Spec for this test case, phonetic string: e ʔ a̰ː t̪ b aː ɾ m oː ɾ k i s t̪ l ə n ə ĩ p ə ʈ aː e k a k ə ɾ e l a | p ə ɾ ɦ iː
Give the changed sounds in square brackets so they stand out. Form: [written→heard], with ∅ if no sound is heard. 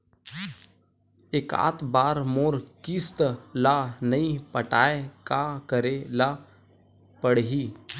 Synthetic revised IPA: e [ʔ→k] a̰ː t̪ b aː ɾ m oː ɾ k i s t̪ l [ə→a] n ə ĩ p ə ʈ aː e k a k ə ɾ e l a | p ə [ɾ→ɽ] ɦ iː